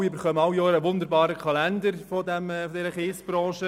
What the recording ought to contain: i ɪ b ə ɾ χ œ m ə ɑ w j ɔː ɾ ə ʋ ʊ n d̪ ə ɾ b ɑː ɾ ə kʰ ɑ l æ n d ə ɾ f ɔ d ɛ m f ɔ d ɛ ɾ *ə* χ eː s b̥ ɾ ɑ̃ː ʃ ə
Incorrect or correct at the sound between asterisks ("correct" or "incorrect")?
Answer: correct